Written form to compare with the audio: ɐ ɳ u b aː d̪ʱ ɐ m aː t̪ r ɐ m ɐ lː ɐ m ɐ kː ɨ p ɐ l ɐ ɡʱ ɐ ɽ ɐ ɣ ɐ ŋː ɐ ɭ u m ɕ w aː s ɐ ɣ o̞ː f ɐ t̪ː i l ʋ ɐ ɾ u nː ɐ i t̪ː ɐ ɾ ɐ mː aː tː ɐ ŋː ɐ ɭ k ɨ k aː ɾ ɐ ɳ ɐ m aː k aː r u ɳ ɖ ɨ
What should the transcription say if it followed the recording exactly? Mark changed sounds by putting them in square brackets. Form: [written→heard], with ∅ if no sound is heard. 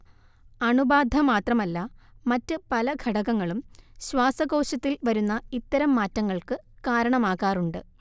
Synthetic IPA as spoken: ɐ ɳ u b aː d̪ʱ ɐ m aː t̪ r ɐ m ɐ lː ɐ m ɐ [kː→tː] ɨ p ɐ l ɐ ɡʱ ɐ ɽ ɐ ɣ ɐ ŋː ɐ ɭ u m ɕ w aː s ɐ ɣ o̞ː [f→ɕ] ɐ t̪ː i l ʋ ɐ ɾ u nː ɐ i t̪ː ɐ ɾ ɐ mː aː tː ɐ ŋː ɐ ɭ k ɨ k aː ɾ ɐ ɳ ɐ m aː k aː r u ɳ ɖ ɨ